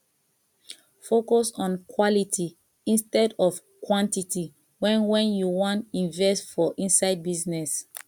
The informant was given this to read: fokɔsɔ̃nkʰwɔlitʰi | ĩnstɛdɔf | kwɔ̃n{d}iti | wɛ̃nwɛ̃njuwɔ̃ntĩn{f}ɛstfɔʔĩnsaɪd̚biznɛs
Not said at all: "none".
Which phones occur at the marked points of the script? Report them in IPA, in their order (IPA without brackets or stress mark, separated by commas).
t, v